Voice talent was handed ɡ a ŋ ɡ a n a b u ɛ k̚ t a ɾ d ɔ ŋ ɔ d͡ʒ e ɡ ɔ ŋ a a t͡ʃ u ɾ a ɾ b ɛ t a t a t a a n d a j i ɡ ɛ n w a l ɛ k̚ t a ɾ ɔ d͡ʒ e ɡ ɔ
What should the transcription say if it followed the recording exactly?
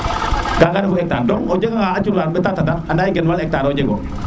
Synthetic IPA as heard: ɡ a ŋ ɡ a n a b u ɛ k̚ t a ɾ d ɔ ŋ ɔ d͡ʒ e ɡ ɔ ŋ a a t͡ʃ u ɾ a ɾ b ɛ t a t a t a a n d a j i ɡ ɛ n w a l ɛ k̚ t a ɾ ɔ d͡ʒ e ɡ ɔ